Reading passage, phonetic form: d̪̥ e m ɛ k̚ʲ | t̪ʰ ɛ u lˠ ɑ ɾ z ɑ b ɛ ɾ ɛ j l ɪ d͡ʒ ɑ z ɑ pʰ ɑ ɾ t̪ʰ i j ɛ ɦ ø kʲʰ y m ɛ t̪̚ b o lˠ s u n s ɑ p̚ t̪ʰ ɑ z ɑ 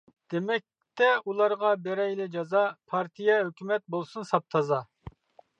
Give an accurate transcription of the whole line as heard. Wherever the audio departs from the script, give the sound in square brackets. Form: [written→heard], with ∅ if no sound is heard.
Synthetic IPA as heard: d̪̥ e m ɛ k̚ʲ | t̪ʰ ɛ u lˠ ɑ ɾ [z→ʁ] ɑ b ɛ ɾ ɛ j l ɪ d͡ʒ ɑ z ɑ pʰ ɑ ɾ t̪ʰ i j ɛ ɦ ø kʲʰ y m ɛ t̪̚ b o lˠ s u n s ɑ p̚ t̪ʰ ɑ z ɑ